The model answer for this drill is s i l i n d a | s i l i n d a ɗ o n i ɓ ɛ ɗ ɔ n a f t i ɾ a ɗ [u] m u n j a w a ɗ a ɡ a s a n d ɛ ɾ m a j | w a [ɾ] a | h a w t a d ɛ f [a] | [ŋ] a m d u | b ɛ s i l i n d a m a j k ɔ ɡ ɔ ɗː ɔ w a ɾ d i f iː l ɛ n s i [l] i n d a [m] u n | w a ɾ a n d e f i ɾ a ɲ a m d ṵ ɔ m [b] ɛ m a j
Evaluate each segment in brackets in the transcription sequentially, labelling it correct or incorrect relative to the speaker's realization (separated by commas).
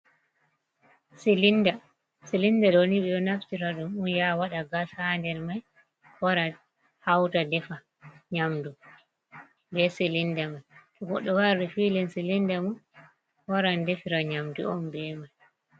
correct, correct, correct, incorrect, correct, correct, correct